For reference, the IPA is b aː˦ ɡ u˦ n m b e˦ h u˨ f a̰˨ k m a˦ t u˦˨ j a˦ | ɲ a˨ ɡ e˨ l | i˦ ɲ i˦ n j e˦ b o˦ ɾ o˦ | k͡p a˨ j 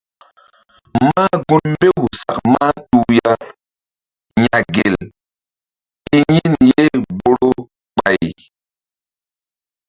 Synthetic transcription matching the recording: m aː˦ ɡ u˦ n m b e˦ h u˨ s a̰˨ k m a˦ t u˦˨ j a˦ | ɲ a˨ ɡ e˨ l | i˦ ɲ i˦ n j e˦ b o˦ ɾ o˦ | k͡p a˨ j